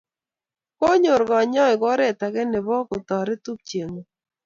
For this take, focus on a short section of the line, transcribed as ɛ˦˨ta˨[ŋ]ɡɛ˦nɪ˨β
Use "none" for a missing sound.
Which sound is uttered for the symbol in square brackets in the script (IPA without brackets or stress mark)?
none